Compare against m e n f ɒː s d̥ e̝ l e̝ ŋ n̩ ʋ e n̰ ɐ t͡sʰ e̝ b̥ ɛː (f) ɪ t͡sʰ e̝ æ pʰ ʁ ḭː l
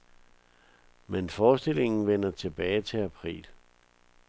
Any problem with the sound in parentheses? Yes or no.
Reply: yes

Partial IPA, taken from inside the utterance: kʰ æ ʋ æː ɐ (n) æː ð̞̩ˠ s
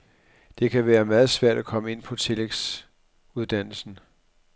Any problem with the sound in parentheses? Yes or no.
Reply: yes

